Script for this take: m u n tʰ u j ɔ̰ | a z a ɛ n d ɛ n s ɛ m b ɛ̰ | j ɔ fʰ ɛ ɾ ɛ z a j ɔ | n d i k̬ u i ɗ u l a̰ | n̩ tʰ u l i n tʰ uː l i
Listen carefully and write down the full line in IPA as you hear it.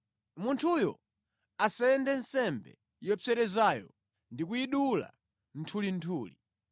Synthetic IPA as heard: m u n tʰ u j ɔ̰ | a s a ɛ n d ɛ n s ɛ m b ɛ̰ | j ɔ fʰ ɛ ɾ ɛ z a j ɔ | n d i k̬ u i ɗ u l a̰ | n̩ tʰ u l i n tʰ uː l i